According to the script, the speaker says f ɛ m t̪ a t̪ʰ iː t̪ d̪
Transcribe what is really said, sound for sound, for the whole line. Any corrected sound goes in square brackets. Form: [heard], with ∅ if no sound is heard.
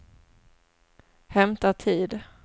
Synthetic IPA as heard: [h] ɛ m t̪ a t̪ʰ iː [∅] d̪

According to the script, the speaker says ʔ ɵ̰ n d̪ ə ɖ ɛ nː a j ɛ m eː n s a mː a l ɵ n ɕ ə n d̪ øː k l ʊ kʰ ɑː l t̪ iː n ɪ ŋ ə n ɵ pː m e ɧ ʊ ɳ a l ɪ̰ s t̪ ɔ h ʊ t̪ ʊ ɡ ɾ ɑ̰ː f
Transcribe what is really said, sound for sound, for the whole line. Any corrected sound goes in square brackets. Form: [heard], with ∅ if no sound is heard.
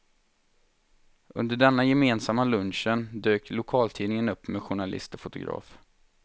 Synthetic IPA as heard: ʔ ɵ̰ n d̪ ə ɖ ɛ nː a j ɛ m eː n s a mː a l ɵ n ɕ ə n d̪ øː k l ʊ kʰ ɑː l [t̪ʰ] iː n ɪ ŋ ə n ɵ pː m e ɧ ʊ ɳ a l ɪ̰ s t̪ ɔ [f] ʊ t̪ ʊ ɡ ɾ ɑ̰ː f

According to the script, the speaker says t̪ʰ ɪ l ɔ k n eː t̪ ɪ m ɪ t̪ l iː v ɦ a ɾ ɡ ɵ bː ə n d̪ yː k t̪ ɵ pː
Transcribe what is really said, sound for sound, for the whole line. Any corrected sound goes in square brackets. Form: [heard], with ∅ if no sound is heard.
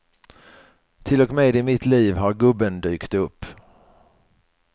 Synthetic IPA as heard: t̪ʰ ɪ l ɔ k [m] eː [d̪] ɪ m ɪ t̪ l iː v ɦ a ɾ ɡ ɵ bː ə n d̪ yː k t̪ ɵ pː

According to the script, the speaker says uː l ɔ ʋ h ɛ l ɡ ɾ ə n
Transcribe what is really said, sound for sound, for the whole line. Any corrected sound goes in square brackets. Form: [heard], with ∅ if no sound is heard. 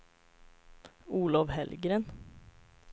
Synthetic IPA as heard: uː l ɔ ʋ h ɛ l ɡ ɾ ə n

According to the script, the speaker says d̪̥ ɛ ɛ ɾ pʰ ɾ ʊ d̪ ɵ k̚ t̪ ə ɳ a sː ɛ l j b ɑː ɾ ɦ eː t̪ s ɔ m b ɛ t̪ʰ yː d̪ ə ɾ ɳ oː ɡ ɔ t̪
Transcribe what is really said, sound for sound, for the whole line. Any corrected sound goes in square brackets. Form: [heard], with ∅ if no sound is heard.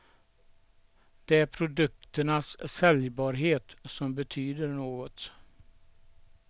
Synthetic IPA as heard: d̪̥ ɛ [æ] ɾ pʰ ɾ ʊ d̪ ɵ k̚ t̪ ə ɳ a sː ɛ l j b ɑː ɾ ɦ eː t̪ s ɔ m b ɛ t̪ʰ yː d̪ ə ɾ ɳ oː ɡ ɔ t̪

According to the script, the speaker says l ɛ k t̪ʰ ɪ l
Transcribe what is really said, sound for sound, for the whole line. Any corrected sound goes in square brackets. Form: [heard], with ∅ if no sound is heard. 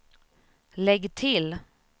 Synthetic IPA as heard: l ɛ [ɡ] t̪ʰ ɪ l

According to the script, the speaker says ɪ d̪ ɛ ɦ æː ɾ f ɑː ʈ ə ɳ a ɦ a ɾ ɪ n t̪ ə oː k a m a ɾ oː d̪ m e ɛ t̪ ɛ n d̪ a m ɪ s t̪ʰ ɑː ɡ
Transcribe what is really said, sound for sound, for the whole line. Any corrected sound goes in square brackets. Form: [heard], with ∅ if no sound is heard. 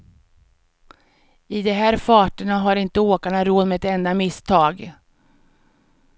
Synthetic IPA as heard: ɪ d̪ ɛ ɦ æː ɾ f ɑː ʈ ə ɳ a ɦ a ɾ ɪ n t̪ ə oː k a [ɳ] a ɾ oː d̪ m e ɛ t̪ ɛ n d̪ a m ɪ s t̪ʰ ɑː ɡ

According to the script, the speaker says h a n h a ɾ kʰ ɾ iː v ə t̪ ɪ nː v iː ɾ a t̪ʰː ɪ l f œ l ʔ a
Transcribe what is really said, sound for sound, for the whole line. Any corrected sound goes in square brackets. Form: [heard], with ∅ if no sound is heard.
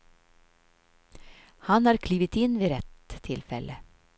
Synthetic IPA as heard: h a n h a ɾ kʰ [l] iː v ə t̪ ɪ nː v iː ɾ [ɛ] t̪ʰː ɪ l f [ɛ] l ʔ [ə]

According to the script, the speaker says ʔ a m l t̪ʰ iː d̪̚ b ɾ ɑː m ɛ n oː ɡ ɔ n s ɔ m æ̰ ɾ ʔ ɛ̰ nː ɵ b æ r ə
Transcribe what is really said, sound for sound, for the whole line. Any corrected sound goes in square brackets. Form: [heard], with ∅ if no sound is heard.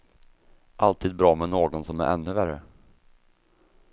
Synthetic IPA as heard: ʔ a [∅] l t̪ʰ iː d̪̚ b ɾ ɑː m ɛ n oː ɡ ɔ n s ɔ m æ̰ ɾ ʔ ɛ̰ nː ɵ [v] æ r ə

